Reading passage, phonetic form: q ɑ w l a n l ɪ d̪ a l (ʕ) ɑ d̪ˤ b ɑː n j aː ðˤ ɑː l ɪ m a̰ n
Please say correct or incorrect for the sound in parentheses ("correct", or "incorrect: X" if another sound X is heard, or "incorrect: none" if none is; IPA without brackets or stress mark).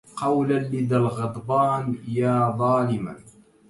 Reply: incorrect: ɣ